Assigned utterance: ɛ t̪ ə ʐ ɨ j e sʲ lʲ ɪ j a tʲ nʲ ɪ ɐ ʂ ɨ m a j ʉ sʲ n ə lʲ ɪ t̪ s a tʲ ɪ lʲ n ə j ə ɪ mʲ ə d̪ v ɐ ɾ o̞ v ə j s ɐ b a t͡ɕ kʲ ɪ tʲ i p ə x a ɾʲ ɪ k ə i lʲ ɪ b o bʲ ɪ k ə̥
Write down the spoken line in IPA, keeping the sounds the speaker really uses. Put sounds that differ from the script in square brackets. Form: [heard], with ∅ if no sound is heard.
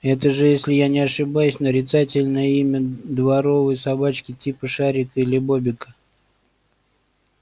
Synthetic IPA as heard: ɛ t̪ ə ʐ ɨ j e sʲ lʲ ɪ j a [∅] nʲ ɪ ɐ ʂ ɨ [b] a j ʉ sʲ n ə [ɾʲ] ɪ t̪ s a tʲ ɪ lʲ n ə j ə [i] mʲ ə d̪ v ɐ ɾ o̞ v ə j s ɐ b a t͡ɕ kʲ ɪ tʲ i p ə [ʂ] a ɾʲ ɪ k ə i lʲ ɪ b o bʲ ɪ k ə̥